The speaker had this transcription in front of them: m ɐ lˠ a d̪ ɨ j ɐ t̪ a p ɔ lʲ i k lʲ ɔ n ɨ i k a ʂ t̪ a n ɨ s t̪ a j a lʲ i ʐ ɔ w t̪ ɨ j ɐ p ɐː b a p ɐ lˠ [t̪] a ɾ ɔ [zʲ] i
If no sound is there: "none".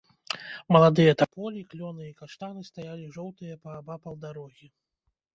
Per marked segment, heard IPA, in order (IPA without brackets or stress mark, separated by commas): d̪, ɣʲ